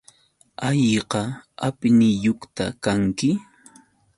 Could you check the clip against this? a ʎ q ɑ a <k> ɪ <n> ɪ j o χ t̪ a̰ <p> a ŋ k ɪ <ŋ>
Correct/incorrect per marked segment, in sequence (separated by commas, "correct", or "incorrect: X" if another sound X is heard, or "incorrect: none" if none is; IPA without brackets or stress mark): incorrect: p, correct, incorrect: k, incorrect: none